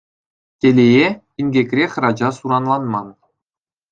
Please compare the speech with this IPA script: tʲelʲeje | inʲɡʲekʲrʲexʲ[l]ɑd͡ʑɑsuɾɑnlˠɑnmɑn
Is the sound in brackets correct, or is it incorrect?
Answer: incorrect